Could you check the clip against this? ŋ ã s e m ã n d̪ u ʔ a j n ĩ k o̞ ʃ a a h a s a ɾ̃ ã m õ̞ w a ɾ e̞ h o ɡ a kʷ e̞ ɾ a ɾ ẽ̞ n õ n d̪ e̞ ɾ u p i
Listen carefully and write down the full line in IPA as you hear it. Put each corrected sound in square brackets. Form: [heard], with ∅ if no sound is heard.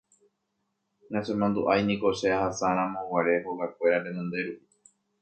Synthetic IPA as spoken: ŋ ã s e m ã n d̪ u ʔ a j n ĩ k o̞ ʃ [e] a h a s a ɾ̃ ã m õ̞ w a ɾ e̞ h o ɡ a kʷ e̞ ɾ a ɾ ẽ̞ n õ n d̪ e̞ ɾ u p i